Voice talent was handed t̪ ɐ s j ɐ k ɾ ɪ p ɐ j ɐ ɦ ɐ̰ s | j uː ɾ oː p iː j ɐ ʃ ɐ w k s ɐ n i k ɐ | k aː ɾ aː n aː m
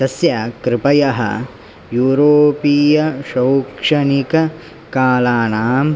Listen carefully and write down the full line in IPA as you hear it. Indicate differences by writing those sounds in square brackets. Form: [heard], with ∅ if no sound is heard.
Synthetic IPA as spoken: t̪ ɐ s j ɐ k ɾ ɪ p ɐ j ɐ ɦ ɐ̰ [∅] | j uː ɾ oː p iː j ɐ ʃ ɐ w k [ʂ] ɐ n i k ɐ | k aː [l] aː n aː m

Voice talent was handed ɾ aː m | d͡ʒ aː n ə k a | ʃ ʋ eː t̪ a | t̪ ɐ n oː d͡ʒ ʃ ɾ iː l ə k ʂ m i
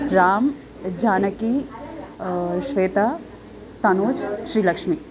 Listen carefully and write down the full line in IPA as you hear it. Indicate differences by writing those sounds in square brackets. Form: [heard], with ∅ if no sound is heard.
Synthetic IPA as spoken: ɾ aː m | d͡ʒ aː n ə k [i] | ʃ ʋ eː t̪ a | t̪ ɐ n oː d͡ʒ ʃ ɾ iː l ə k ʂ m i

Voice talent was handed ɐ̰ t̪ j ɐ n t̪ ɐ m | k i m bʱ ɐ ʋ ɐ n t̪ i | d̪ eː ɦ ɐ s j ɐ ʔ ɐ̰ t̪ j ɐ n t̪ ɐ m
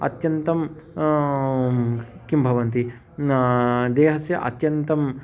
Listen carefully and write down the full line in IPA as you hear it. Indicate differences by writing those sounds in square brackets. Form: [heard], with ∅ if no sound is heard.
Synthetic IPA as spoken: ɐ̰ t̪ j ɐ n t̪ ɐ m | k i m bʱ ɐ ʋ ɐ n t̪ i | d̪ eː ɦ ɐ s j ɐ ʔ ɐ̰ t̪ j ɐ n t̪ ɐ m

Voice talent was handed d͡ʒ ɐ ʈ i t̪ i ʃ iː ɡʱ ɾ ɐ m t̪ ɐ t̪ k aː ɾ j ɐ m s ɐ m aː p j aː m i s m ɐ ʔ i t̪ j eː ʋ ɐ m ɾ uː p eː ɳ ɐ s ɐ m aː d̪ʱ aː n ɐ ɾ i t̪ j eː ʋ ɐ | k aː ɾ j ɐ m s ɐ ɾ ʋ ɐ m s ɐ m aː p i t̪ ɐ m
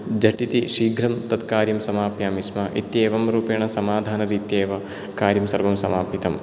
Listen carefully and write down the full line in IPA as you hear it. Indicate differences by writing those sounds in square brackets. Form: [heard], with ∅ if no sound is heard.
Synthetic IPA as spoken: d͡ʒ ɐ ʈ i t̪ i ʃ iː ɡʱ ɾ ɐ m t̪ ɐ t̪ k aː ɾ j ɐ m s ɐ m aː p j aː m i s m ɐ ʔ i t̪ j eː ʋ ɐ m ɾ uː p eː ɳ ɐ s ɐ m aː d̪ʱ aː n ɐ ɾ [iː] t̪ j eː ʋ ɐ | k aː ɾ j ɐ m s ɐ ɾ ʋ ɐ m s ɐ m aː p i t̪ ɐ m

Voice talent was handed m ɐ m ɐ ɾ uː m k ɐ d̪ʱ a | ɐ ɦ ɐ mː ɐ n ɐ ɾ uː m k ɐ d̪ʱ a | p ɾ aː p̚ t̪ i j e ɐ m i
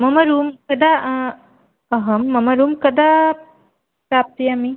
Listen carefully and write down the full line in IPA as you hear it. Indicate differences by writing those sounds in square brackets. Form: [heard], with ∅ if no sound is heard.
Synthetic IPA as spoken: m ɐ m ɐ ɾ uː m k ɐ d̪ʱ a | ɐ ɦ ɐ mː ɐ [m] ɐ ɾ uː m k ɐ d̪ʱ a | p ɾ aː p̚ t̪ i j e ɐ m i

